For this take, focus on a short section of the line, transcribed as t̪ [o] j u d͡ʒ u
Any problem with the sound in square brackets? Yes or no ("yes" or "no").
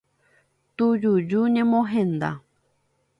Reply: yes